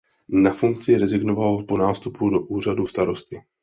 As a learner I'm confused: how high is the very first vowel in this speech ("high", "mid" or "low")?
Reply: low